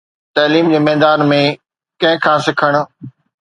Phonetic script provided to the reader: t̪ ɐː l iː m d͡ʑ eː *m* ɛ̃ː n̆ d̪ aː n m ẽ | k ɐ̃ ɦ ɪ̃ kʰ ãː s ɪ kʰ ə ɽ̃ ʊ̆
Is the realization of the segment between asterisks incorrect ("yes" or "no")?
no